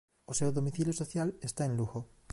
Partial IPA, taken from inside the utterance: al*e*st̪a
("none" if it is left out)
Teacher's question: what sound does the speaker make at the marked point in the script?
e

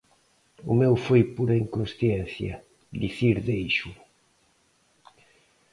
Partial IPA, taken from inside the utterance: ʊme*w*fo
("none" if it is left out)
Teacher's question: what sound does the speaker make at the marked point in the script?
w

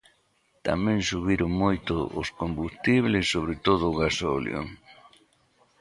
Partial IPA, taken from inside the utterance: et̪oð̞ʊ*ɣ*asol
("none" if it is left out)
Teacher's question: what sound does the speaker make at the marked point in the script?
ɣ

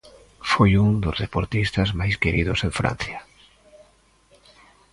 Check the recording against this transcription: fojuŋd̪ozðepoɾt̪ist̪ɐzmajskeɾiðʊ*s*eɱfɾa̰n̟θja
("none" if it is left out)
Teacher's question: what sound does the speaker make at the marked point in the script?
s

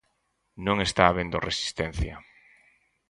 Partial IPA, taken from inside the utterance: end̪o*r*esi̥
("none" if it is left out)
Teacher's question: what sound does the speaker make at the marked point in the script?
r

